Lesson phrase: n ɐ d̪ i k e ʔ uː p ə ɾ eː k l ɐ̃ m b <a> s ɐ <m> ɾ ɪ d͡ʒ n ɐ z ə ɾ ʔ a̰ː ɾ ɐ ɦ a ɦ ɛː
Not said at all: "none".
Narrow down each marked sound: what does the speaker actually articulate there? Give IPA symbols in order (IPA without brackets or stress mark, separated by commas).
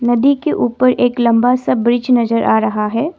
a, b